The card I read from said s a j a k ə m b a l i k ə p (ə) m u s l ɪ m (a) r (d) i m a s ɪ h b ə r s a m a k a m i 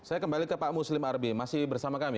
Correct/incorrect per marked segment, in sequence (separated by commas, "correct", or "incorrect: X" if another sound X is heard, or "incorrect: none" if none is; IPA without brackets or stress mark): incorrect: a, correct, incorrect: b